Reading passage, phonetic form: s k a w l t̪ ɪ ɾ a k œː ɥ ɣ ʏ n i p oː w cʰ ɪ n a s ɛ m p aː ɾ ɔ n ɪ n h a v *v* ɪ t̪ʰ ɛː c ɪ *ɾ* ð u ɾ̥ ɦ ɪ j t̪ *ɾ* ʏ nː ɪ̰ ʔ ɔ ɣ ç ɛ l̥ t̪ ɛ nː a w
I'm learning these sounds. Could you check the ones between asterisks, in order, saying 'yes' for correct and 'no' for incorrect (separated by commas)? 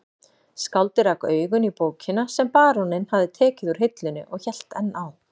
no, no, no